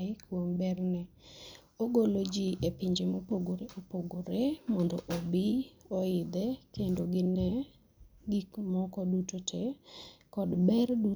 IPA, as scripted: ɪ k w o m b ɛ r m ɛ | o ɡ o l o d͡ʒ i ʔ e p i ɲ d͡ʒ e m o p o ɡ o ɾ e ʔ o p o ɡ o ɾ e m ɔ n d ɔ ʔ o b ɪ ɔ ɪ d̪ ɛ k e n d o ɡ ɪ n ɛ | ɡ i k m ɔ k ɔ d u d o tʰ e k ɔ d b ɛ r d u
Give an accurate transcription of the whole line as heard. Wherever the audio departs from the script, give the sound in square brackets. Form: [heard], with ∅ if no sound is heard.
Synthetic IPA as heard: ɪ k w o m b ɛ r [n] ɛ | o ɡ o l o d͡ʒ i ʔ e p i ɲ d͡ʒ e m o p o ɡ o ɾ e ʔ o p o ɡ o ɾ e m ɔ n d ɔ ʔ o b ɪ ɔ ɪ d̪ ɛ k e n d o ɡ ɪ n ɛ | ɡ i k m ɔ k ɔ d u [t] o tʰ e k ɔ d b ɛ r d u

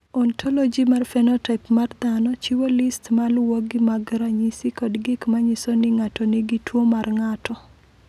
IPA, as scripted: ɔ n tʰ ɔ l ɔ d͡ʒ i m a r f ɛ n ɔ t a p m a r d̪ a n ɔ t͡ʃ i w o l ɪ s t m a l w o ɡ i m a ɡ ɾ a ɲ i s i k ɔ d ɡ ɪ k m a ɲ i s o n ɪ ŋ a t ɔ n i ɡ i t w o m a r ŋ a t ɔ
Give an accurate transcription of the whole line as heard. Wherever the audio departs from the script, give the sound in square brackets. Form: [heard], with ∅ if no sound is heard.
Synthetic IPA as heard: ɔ n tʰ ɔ l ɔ d͡ʒ i m a r f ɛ n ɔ t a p m a r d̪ a n ɔ t͡ʃ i w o l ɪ s t m a l w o ɡ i m a ɡ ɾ a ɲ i s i k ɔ d ɡ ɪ k m a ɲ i s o n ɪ ŋ a t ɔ n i ɡ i t w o m a r ŋ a t ɔ

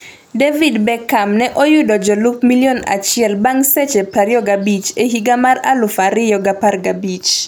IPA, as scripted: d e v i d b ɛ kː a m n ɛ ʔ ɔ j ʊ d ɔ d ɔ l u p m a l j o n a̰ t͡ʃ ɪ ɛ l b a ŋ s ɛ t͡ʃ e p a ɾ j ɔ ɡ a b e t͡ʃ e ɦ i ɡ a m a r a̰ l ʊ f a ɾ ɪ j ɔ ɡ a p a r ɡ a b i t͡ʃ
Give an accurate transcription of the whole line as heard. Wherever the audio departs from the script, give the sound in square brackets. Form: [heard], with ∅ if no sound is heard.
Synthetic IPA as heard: d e v i d b ɛ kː a m n ɛ ʔ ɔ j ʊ d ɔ [d͡ʒ] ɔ l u p m [i] l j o n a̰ t͡ʃ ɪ ɛ l b a ŋ s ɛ t͡ʃ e p a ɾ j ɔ ɡ a b [i] t͡ʃ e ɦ i ɡ a m a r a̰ l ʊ f a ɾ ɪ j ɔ ɡ a p a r ɡ a b i t͡ʃ

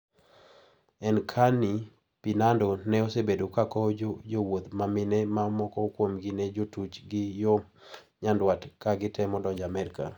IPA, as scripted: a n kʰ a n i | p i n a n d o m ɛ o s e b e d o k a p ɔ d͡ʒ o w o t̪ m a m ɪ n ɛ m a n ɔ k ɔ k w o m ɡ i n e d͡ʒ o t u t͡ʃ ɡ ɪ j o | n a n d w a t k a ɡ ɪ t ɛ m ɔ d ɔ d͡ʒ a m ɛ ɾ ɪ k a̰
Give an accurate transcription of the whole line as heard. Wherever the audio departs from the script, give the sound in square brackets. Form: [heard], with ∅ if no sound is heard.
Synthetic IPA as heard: [ɛ] n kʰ a n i | p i n a n d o [n] ɛ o s e b e d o k a [k] ɔ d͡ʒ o w o t̪ m a m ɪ n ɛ m a [m] ɔ k ɔ k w o m ɡ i n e d͡ʒ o t u t͡ʃ ɡ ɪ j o | [ɲ] a n d w a t k a ɡ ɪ t ɛ m ɔ d ɔ d͡ʒ a m ɛ ɾ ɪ k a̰

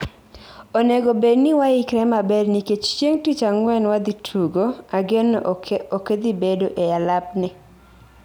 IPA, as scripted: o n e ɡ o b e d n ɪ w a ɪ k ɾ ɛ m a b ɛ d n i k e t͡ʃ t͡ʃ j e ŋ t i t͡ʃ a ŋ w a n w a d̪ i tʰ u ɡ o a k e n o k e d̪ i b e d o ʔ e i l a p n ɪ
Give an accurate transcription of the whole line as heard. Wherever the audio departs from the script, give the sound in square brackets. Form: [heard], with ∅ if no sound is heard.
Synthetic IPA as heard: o n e ɡ o b e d n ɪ w a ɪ k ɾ ɛ m a b ɛ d n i k e t͡ʃ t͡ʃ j e ŋ t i t͡ʃ a ŋ w [ɛ] n w a d̪ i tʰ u ɡ o a [ɡ] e n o k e d̪ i b e d o ʔ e [a] l a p n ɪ

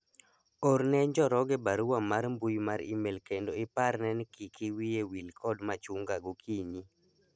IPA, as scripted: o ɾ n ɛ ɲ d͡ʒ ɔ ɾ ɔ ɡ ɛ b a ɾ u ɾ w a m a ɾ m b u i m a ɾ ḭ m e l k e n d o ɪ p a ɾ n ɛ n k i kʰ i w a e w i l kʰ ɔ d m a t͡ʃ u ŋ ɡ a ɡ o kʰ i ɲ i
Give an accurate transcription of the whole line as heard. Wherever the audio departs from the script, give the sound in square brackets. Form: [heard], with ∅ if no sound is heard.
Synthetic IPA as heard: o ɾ n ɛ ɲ d͡ʒ ɔ ɾ ɔ ɡ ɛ b a ɾ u [∅] w a m a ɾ m b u [j] m a ɾ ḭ m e l k e n d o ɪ p a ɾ n ɛ n k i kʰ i w [i] e w i l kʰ ɔ d m a t͡ʃ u ŋ ɡ a ɡ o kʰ i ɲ i

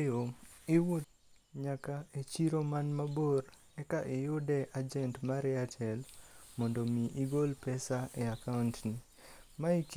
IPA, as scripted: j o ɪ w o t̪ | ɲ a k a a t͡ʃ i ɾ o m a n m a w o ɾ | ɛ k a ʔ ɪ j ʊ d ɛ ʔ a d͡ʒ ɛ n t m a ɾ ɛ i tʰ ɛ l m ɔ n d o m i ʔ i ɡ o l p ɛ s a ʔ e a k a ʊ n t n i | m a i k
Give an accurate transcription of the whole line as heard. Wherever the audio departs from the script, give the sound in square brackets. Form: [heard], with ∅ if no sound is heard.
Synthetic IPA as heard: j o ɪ w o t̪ | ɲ a k a [e] t͡ʃ i ɾ o m a n m a [b] o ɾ | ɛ k a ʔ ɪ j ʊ d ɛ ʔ a d͡ʒ ɛ n t m a ɾ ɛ [a] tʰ ɛ l m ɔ n d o m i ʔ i ɡ o l p ɛ s a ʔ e a k a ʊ n t n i | m a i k

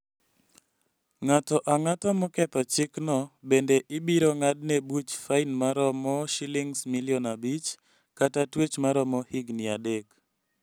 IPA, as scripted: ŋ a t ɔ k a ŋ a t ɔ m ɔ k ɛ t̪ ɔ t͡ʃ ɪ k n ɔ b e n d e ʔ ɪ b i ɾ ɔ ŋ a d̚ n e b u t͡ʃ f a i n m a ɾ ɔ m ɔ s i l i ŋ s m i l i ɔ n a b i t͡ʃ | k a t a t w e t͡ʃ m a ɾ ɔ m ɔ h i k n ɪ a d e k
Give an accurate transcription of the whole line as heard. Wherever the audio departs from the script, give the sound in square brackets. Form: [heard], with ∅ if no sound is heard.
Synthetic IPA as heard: ŋ a t ɔ [ʔ] a ŋ a t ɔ m ɔ k ɛ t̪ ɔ t͡ʃ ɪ k n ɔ b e n d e ʔ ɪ b i ɾ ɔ ŋ a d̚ n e b u t͡ʃ f a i n m a ɾ ɔ m ɔ [ʃ] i l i ŋ s m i l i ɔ n a b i t͡ʃ | k a t a t w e t͡ʃ m a ɾ ɔ m ɔ h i [ɡ] n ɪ a d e k

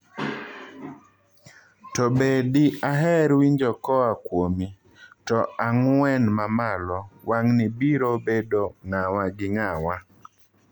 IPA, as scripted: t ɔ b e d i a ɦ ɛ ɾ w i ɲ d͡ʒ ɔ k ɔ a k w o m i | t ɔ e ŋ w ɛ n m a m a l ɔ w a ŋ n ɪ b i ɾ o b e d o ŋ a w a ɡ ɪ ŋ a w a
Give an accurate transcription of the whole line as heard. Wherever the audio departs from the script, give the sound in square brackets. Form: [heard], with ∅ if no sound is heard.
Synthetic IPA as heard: t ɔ b e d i a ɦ ɛ ɾ w i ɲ d͡ʒ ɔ k ɔ a k w o m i | t ɔ [a] ŋ w ɛ n m a m a l ɔ w a ŋ n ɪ b i ɾ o b e d o ŋ a w a ɡ ɪ ŋ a w a

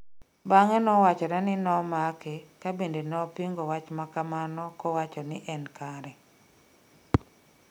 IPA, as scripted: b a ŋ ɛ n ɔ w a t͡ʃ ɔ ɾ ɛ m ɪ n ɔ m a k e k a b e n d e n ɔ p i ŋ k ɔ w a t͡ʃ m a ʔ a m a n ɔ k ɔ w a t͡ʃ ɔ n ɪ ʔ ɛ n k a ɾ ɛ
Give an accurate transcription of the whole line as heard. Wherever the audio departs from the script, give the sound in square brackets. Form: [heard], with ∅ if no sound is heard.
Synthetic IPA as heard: b a ŋ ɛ n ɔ w a t͡ʃ ɔ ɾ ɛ [n] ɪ n ɔ m a k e k a b e n d e n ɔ p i ŋ [ɡ] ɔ w a t͡ʃ m a [k] a m a n ɔ k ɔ w a t͡ʃ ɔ n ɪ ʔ ɛ n k a ɾ ɛ

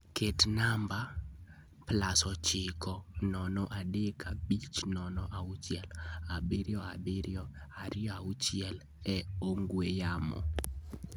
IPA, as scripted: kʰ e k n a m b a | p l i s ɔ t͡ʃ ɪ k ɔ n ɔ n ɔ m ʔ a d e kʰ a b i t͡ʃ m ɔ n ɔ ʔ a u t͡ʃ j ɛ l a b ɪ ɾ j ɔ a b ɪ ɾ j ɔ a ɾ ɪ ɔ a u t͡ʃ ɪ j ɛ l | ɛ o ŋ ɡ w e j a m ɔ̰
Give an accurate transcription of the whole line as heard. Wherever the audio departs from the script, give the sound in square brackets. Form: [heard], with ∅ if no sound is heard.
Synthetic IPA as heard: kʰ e [t] n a m b a | p l [a] s ɔ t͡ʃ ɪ k ɔ n ɔ n ɔ [∅] ʔ a d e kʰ a b i t͡ʃ [n] ɔ n ɔ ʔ a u t͡ʃ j ɛ l a b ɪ ɾ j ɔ a b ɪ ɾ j ɔ a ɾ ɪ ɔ a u t͡ʃ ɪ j ɛ l | ɛ o ŋ ɡ w e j a m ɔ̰

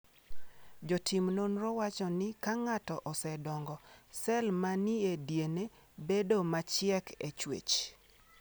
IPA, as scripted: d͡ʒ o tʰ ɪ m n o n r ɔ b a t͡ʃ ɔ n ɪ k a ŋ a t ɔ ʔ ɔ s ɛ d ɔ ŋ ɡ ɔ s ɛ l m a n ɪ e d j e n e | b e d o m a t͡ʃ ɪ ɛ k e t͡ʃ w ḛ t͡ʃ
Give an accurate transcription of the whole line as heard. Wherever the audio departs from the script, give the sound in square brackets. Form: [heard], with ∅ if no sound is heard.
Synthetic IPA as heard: d͡ʒ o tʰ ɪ m n o n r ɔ [w] a t͡ʃ ɔ n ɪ k a ŋ a t ɔ ʔ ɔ s ɛ d ɔ ŋ ɡ ɔ s ɛ l m a n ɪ e d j e n e | b e d o m a t͡ʃ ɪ ɛ k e t͡ʃ w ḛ t͡ʃ

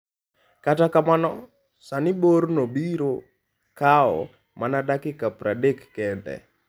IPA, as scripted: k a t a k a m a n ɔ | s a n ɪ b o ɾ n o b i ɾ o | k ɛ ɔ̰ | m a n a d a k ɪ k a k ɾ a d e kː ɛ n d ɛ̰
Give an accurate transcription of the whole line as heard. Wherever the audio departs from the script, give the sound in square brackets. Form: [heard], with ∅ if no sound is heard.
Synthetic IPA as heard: k a t a k a m a n ɔ | s a n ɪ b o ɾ n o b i ɾ o | k [a] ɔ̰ | m a n a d a k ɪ k a [p] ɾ a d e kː ɛ n d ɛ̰

